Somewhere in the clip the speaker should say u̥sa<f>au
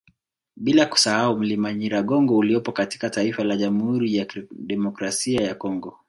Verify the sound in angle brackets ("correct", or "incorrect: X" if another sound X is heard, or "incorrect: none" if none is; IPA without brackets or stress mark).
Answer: incorrect: h